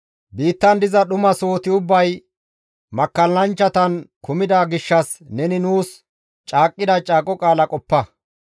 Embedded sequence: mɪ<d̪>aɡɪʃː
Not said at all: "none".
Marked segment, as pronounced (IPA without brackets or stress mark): d̪